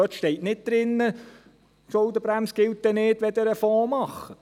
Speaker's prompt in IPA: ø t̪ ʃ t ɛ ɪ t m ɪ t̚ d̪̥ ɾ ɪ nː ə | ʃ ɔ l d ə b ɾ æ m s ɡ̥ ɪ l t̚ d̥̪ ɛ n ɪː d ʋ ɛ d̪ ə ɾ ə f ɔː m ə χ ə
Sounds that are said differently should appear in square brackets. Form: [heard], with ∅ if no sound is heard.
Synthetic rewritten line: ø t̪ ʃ t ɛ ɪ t [n] ɪ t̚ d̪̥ ɾ ɪ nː ə | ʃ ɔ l d ə b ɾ æ m s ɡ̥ ɪ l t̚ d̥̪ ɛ n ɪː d ʋ ɛ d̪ ə ɾ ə f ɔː m [ɑ] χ ə